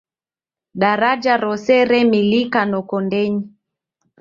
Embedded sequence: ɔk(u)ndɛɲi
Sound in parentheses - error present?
yes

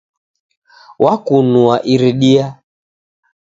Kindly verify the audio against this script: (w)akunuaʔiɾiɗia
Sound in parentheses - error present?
no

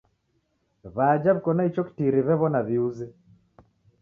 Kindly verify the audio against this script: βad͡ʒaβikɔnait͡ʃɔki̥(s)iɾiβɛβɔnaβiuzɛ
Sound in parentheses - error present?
yes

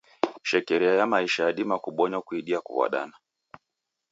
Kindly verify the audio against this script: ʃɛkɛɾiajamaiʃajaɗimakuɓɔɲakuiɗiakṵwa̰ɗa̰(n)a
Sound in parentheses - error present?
no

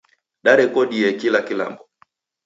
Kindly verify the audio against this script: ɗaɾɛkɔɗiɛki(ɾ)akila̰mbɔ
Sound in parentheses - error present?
yes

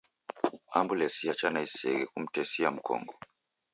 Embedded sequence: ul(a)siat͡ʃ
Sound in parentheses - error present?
yes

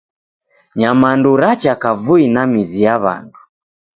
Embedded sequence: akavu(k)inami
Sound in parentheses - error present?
yes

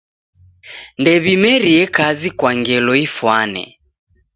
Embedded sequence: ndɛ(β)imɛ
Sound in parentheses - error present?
no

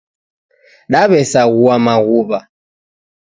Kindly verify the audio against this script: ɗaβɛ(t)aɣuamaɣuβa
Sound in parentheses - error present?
yes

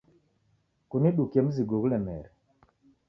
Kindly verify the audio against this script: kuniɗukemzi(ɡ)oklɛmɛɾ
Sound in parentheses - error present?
no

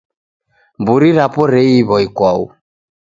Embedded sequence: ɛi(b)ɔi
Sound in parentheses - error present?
yes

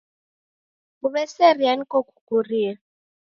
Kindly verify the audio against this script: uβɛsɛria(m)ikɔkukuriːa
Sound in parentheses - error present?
yes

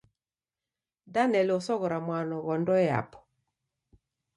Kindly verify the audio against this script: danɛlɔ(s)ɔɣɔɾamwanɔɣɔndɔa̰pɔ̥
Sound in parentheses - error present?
no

